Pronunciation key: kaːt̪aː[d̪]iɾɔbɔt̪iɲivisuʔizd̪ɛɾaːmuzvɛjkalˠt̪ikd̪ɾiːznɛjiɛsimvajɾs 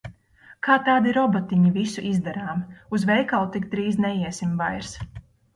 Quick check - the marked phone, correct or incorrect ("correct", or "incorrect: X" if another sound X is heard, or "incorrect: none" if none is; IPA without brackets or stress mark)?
correct